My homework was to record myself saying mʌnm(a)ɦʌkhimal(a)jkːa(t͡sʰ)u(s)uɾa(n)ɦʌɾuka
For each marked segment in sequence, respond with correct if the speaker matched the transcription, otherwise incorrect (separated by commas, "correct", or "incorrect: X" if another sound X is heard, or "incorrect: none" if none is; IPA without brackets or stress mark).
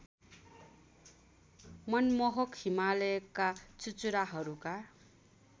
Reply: incorrect: ʌ, incorrect: ʌ, incorrect: t͡s, incorrect: t͡s, incorrect: none